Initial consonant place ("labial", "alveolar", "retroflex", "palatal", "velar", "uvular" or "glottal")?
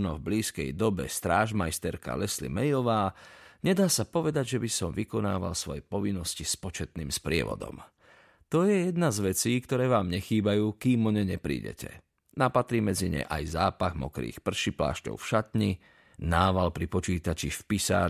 alveolar